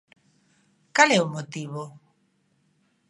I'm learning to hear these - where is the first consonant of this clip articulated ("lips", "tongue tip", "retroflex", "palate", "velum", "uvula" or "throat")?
velum